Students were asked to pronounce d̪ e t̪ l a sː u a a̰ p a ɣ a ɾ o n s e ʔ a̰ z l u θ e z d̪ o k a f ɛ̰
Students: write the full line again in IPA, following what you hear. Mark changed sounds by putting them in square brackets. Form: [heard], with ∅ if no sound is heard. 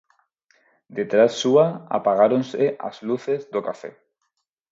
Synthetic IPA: d̪ e t̪ [ɾ] a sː u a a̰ p a ɣ a ɾ o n s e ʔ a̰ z l u θ e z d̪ o k a f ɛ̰